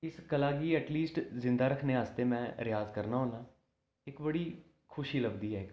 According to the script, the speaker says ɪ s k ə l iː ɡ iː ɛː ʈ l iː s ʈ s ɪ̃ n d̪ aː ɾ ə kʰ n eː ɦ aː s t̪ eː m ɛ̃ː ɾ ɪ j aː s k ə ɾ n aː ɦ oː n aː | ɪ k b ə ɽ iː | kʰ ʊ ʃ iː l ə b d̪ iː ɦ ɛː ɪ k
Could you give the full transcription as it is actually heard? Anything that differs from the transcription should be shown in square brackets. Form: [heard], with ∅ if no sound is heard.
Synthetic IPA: ɪ s k ə l [aː] ɡ iː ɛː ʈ l iː s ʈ [z] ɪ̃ n d̪ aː ɾ ə kʰ n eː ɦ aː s t̪ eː m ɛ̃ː ɾ ɪ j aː [z] k ə ɾ n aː ɦ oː n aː | ɪ k b ə ɽ iː | kʰ ʊ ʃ iː l ə b d̪ iː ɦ ɛː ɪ k